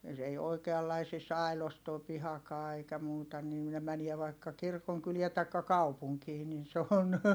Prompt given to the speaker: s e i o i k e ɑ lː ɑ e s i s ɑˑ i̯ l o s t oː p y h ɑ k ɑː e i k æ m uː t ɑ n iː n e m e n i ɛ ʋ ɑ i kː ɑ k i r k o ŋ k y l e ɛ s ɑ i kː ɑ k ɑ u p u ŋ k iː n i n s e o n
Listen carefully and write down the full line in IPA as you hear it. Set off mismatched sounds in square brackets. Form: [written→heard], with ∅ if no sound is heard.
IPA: s e i o i k e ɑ lː ɑ [e→i] s i s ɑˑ i̯ l o s t oː p [y→i] h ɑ k ɑː e i k æ m uː t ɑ n iː n e m [e→æ] n i ɛ ʋ ɑ i kː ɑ k i r k o ŋ k y l [e→i] ɛ [s→t] ɑ i kː ɑ k ɑ u p u ŋ k iː n i n s e o n